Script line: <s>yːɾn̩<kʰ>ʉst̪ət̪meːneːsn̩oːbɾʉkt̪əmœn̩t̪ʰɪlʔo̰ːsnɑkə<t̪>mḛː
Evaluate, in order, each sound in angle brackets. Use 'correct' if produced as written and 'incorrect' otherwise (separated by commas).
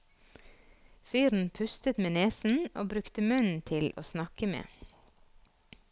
incorrect, incorrect, incorrect